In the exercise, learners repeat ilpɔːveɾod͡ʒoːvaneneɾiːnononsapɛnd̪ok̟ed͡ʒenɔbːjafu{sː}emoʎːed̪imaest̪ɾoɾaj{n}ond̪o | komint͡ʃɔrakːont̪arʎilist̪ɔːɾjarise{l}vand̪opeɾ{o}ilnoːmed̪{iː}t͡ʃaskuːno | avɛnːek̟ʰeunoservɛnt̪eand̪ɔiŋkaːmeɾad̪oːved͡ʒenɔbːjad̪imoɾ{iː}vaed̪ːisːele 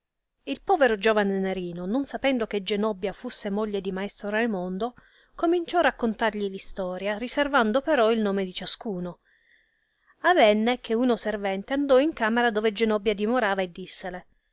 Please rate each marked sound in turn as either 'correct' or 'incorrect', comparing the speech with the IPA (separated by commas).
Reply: correct, incorrect, incorrect, incorrect, incorrect, incorrect